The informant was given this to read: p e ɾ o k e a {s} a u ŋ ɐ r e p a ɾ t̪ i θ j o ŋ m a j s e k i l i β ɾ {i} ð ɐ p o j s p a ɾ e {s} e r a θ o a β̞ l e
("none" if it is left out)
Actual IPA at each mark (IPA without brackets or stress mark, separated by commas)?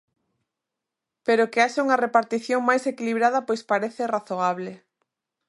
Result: ʃ, a, θ